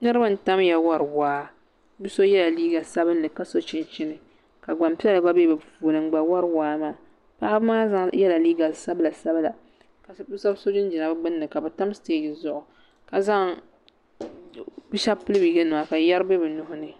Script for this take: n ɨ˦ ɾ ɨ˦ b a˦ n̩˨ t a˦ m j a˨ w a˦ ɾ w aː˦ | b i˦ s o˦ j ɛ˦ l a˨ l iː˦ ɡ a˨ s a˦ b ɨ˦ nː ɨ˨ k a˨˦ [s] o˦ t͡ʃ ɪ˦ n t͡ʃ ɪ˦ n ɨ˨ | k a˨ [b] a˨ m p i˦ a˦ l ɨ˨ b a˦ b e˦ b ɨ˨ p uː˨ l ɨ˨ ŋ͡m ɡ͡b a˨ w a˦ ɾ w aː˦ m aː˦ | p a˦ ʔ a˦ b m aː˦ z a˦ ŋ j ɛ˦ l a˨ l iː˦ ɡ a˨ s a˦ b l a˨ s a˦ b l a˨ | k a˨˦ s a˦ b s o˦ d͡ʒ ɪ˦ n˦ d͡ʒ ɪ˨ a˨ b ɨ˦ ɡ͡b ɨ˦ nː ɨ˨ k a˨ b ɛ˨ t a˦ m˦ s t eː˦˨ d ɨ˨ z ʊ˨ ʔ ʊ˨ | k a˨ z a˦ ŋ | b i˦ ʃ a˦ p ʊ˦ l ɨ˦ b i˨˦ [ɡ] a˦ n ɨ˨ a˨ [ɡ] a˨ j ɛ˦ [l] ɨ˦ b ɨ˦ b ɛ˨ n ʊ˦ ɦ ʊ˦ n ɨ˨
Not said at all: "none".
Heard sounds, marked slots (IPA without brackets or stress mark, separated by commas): s, ɡ͡b, ɡ, k, ɾ